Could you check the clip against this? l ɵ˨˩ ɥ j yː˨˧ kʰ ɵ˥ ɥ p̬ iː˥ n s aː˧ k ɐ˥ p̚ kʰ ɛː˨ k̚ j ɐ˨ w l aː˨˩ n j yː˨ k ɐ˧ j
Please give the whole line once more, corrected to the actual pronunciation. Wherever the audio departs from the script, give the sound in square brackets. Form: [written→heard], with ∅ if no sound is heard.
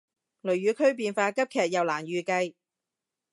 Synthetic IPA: l ɵ˨˩ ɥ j yː˨˧ kʰ ɵ˥ ɥ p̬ [iː˥→iː˧] n [s→f] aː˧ k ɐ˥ p̚ kʰ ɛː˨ k̚ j ɐ˨ w l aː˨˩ n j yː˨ k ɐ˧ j